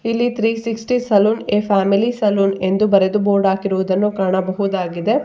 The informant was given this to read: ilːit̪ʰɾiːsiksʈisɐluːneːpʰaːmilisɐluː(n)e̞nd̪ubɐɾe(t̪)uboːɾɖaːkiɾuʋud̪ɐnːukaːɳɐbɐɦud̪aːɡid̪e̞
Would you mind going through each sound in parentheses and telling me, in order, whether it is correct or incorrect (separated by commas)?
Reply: correct, incorrect